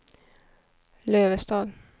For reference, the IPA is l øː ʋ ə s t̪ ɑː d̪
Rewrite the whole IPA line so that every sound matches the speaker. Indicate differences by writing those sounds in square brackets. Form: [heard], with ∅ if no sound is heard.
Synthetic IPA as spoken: l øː ʋ ə s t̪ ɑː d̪